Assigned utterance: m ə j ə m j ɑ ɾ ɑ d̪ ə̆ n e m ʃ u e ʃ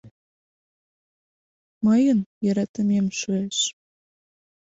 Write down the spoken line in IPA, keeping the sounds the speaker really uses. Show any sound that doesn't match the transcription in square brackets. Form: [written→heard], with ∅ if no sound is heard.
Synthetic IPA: m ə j ə [m→n] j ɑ ɾ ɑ [d̪→t̪] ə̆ [n→m] e m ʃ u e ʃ